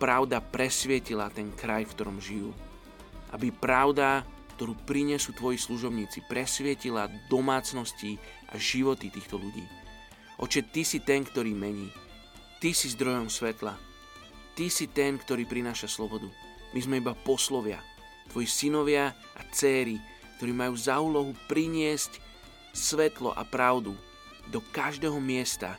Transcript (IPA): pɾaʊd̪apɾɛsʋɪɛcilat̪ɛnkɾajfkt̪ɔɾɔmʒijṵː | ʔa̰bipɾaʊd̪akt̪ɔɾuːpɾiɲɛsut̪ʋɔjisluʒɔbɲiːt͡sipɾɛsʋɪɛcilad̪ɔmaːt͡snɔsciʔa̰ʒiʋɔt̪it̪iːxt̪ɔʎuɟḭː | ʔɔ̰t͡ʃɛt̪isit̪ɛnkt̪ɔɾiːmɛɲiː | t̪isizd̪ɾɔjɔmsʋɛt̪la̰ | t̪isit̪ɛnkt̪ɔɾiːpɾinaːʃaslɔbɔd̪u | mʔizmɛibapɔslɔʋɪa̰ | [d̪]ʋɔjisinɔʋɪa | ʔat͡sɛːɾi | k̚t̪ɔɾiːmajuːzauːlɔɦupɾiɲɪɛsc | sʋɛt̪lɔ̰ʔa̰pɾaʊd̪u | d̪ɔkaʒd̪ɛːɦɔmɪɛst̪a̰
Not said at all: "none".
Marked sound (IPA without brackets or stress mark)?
t̪